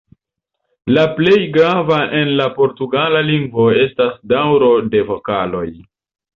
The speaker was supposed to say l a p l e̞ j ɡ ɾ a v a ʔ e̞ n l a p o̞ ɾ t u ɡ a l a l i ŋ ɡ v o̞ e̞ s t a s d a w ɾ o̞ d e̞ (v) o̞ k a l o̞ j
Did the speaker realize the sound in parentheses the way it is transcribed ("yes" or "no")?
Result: yes